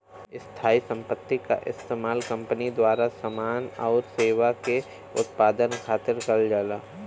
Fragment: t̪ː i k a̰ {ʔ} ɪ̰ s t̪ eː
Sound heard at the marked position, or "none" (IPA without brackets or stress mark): ʔ